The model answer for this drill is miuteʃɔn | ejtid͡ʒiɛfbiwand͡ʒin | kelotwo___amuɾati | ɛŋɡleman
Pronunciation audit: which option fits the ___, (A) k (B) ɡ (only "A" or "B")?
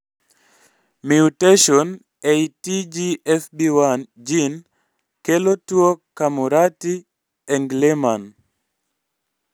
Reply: A